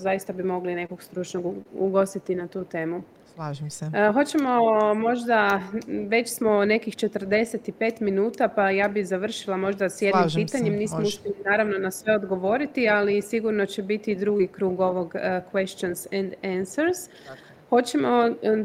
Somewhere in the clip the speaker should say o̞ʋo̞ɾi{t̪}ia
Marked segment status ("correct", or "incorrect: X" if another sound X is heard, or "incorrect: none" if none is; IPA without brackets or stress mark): correct